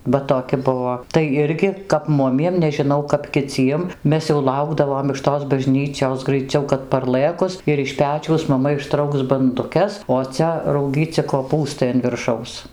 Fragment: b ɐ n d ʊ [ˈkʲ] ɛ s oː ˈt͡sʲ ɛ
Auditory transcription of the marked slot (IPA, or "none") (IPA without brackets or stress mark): kʲ